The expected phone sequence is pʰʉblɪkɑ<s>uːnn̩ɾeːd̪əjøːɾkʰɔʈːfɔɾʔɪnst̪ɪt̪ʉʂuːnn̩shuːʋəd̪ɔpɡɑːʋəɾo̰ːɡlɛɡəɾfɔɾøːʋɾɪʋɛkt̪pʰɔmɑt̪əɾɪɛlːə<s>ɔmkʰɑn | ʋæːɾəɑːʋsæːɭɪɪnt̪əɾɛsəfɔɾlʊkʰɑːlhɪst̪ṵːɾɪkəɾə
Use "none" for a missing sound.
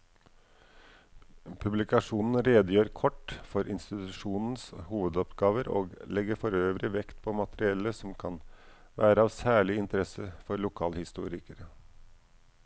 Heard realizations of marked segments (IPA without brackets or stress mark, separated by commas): ʂ, s